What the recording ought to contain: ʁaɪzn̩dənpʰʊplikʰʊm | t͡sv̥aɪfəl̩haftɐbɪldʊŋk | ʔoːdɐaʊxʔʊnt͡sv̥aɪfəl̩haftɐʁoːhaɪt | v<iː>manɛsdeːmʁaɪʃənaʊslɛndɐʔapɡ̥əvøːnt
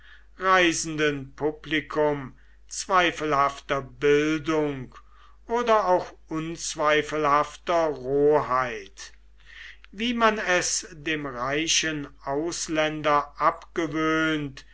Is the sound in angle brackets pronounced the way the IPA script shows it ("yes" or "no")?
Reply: yes